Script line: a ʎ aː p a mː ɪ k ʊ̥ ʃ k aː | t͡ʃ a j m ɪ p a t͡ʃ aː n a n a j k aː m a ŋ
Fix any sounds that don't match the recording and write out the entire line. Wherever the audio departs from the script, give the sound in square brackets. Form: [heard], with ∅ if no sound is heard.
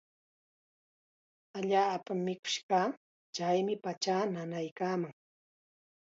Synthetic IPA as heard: a ʎ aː p a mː ɪ k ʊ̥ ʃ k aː | t͡ʃ a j m ɪ p a t͡ʃ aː n a n a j k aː m a ŋ